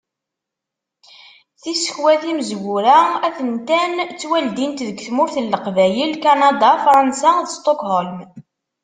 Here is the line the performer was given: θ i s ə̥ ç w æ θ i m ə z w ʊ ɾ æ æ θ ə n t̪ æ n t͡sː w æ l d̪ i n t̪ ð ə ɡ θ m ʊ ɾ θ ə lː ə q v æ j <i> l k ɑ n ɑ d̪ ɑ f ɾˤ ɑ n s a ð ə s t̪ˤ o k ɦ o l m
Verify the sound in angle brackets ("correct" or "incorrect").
correct